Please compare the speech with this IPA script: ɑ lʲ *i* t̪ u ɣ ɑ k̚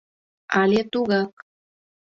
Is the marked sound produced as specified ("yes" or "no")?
no